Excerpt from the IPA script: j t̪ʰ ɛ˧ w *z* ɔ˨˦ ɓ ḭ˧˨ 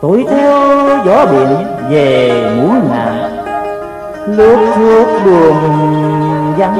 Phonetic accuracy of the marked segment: correct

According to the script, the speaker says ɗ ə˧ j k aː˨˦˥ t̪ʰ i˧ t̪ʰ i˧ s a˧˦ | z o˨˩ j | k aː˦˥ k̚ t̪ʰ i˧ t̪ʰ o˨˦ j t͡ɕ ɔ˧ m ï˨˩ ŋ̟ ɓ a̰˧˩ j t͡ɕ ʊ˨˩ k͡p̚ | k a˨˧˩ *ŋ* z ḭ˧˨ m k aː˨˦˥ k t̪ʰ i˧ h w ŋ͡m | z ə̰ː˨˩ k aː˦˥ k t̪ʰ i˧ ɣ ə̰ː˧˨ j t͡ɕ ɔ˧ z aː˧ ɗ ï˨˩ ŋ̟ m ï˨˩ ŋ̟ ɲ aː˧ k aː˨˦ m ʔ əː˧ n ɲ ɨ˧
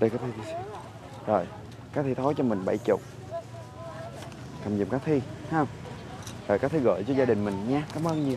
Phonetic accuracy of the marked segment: incorrect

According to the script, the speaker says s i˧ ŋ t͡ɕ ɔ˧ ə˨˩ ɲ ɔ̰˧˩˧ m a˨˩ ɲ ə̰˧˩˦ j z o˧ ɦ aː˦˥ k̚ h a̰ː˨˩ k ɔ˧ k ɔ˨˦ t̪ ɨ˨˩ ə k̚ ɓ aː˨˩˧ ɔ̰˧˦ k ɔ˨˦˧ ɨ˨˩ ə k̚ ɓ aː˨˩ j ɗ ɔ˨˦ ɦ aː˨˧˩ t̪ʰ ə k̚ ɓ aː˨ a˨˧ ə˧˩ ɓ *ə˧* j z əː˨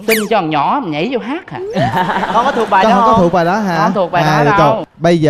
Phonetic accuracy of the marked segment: correct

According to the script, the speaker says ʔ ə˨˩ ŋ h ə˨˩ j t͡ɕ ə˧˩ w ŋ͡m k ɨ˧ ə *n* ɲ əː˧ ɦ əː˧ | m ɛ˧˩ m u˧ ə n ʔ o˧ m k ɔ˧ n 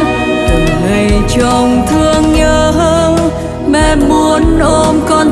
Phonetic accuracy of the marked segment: incorrect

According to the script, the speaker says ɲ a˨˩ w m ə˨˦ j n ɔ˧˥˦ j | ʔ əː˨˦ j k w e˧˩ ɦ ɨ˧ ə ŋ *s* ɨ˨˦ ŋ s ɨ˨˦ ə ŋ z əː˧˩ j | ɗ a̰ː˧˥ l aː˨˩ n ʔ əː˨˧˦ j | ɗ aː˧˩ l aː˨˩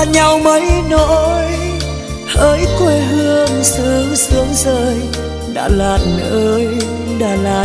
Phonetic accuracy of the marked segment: correct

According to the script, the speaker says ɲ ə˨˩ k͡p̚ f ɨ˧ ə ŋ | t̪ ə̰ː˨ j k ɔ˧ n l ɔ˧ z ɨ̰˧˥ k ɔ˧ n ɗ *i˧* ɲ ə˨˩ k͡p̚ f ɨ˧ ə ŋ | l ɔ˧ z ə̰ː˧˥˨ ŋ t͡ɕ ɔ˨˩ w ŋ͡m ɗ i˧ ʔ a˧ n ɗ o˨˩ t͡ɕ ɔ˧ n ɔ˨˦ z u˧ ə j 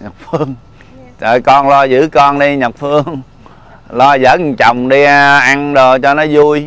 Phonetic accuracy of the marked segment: correct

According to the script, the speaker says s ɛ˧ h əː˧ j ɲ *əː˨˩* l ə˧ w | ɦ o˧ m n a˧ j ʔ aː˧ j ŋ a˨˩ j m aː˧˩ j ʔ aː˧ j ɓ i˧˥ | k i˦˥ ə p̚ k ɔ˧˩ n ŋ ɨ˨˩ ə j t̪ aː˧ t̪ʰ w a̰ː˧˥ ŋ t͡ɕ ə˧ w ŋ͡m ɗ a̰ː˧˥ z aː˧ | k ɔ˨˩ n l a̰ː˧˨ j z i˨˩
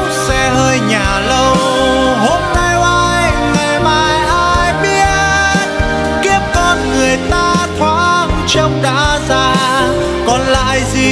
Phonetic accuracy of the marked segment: incorrect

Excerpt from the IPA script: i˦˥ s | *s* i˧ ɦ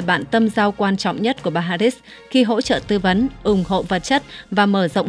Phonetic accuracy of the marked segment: incorrect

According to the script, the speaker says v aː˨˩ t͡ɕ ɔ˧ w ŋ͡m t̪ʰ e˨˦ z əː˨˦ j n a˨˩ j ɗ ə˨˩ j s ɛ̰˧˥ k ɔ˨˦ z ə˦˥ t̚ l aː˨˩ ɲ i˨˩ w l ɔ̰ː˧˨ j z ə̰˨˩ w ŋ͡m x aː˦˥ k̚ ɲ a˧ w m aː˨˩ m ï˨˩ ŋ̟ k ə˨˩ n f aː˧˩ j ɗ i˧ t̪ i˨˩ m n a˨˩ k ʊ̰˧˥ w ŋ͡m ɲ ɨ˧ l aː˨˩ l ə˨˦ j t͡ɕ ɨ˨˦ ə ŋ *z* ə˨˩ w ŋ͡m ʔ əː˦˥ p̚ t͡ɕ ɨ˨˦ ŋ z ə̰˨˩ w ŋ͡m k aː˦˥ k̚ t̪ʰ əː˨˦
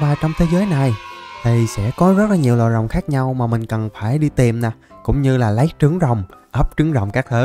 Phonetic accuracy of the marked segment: correct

